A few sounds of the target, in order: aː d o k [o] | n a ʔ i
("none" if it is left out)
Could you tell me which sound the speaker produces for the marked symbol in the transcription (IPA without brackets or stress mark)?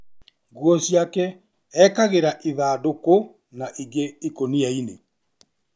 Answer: o